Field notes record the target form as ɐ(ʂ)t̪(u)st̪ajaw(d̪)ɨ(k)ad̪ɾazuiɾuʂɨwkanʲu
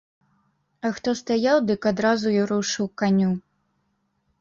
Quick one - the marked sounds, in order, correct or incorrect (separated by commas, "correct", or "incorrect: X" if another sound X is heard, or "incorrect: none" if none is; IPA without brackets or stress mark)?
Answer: incorrect: x, incorrect: ɔ, correct, correct